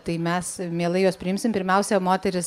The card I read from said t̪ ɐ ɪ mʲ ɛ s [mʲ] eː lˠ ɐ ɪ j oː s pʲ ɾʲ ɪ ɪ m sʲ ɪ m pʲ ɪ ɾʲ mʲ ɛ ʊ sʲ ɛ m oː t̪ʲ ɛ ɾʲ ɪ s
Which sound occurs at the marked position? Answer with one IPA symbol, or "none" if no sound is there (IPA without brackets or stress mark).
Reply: mʲ